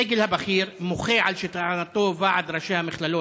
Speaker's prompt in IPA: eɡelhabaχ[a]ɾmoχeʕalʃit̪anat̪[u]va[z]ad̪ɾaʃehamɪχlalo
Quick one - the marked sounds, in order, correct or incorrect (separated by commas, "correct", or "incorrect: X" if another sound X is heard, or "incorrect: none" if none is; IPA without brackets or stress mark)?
incorrect: i, incorrect: o, incorrect: ʕ